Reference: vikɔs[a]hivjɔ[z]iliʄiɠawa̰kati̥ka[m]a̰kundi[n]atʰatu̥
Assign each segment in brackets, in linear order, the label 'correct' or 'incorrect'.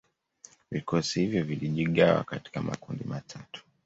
incorrect, incorrect, correct, incorrect

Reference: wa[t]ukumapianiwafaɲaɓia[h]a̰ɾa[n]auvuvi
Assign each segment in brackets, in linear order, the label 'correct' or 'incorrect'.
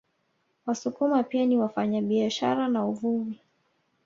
incorrect, incorrect, correct

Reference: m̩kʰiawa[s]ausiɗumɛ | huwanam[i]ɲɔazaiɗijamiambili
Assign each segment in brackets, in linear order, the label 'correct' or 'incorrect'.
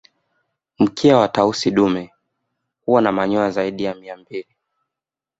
incorrect, incorrect

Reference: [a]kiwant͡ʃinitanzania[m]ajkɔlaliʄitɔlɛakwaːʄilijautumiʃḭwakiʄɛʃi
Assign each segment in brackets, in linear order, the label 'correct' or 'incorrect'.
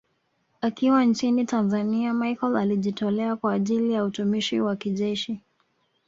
correct, correct

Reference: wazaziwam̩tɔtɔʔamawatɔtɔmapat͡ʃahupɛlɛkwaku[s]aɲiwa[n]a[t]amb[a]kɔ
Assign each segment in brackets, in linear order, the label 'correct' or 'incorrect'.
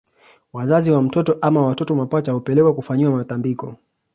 incorrect, incorrect, correct, incorrect

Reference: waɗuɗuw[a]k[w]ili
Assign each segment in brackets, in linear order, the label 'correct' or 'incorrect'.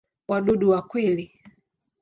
correct, correct

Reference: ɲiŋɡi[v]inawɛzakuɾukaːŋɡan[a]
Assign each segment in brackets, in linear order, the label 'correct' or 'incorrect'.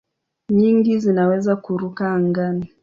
incorrect, incorrect

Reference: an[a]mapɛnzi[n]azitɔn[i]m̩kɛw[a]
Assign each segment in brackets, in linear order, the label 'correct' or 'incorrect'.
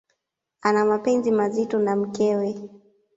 correct, incorrect, incorrect, incorrect

